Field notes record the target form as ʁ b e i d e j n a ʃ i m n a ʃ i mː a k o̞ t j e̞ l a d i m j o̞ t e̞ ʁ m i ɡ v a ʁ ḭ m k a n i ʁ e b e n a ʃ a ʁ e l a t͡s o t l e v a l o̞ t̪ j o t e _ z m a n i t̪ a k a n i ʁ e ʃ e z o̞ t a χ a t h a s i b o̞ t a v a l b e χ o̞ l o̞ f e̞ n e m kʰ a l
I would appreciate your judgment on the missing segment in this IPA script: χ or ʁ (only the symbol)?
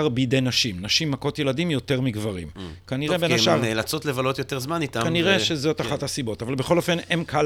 ʁ